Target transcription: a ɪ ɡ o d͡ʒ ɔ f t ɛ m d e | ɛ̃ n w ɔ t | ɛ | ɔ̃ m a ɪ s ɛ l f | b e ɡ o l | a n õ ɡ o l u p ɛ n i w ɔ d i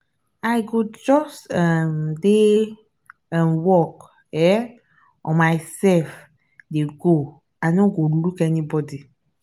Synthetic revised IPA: a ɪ ɡ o d͡ʒ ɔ s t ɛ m d e | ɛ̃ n w ɔ k | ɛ | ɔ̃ m a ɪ s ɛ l f | d e ɡ o | a n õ ɡ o l u k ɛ n i b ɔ d i